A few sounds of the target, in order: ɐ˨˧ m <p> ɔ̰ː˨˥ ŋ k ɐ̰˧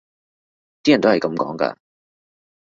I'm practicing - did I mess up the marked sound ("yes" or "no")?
yes